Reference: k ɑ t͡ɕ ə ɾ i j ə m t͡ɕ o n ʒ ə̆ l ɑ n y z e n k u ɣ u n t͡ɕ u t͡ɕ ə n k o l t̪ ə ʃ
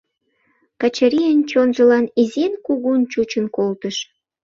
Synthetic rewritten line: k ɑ t͡ɕ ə ɾ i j ə n t͡ɕ o n ʒ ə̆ l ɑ n i z e n k u ɣ u n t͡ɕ u t͡ɕ ə n k o l t̪ ə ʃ